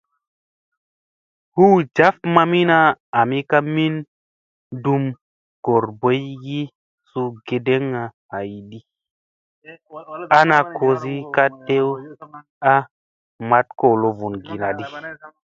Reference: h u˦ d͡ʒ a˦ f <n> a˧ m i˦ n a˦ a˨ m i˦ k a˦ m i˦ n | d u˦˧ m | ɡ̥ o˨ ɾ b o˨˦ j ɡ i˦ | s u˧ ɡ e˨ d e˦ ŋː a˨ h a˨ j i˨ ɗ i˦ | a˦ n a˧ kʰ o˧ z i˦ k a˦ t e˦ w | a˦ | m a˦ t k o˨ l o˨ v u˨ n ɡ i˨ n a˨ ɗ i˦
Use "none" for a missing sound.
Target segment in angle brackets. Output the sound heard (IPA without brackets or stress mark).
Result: m